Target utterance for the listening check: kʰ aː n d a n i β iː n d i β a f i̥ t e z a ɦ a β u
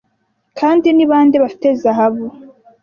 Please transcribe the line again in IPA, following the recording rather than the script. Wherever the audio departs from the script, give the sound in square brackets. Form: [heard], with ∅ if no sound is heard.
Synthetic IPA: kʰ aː n d [i] n i β [aː] n d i β a f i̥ t e z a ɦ a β u